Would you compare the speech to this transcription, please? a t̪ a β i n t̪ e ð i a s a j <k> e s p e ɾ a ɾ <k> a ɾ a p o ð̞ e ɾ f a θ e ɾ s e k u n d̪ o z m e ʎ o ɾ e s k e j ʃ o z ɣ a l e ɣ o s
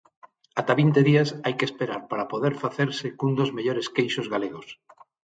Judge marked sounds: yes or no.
yes, no

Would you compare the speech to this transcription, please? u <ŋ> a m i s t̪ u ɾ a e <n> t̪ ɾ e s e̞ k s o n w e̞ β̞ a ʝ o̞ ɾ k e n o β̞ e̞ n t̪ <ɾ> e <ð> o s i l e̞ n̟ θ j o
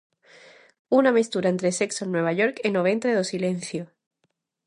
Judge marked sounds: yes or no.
no, yes, yes, yes

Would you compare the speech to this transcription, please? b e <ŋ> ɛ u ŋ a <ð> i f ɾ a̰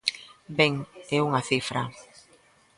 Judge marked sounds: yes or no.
yes, no

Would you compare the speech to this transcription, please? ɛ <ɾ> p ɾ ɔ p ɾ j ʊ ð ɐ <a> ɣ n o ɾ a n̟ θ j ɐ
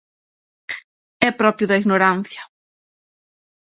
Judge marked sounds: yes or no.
no, no

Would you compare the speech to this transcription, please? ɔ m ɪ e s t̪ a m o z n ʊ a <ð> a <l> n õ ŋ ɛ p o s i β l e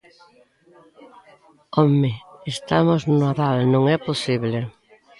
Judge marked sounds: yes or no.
yes, yes

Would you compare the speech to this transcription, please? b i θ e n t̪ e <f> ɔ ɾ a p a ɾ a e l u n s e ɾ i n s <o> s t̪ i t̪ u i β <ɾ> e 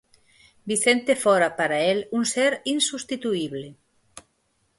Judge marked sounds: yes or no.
yes, no, no

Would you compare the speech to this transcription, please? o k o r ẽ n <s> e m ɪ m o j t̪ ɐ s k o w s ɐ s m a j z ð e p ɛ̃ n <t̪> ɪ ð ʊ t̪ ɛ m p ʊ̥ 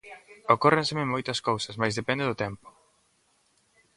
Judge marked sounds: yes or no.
yes, no

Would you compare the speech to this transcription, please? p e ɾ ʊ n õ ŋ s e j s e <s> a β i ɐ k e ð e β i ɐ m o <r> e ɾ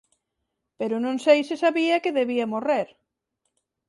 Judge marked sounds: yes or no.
yes, yes

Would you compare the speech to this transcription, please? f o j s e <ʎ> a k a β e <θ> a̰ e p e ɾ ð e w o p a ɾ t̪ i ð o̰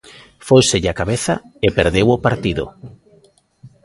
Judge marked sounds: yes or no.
yes, yes

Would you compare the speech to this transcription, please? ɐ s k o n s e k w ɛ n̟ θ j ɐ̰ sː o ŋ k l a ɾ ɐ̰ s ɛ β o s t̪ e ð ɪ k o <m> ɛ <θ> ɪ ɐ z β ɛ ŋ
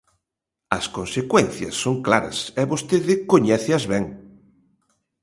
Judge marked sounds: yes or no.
no, yes

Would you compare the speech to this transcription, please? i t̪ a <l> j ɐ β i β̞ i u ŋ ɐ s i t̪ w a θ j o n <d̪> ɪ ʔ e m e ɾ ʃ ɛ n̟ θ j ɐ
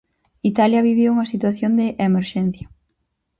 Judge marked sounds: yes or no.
yes, yes

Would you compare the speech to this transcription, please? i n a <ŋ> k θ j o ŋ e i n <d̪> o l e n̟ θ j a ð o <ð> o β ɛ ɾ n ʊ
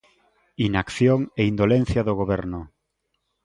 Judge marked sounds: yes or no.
no, yes, no

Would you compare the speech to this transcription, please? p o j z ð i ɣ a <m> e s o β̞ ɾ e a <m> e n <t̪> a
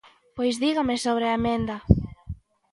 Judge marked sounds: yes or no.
yes, yes, no

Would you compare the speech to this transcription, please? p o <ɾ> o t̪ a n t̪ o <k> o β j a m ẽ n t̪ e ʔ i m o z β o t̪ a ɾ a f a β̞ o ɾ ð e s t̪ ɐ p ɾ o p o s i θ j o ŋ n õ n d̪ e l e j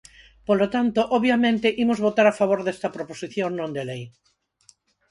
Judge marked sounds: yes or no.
no, no

